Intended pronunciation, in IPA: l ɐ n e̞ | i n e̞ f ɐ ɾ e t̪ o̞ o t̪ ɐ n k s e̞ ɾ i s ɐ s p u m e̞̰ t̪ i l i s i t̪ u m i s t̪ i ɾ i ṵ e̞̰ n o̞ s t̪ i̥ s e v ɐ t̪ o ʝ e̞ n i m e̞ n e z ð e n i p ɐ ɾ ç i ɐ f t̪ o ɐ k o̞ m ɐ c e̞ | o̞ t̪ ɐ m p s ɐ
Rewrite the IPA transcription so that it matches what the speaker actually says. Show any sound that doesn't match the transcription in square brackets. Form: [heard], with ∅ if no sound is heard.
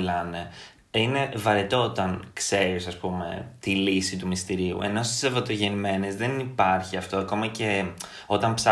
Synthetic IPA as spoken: l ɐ n e̞ | i n e̞ [v] ɐ ɾ e t̪ o̞ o t̪ ɐ n k s e̞ ɾ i s ɐ s p u m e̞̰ t̪ i l i s i t̪ u m i s t̪ i ɾ i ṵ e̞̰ n o̞ s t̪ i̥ s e v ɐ t̪ o ʝ e̞ n i m e̞ n e z ð e n i p ɐ ɾ ç i ɐ f t̪ o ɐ k o̞ m ɐ c e̞ | o̞ t̪ ɐ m p s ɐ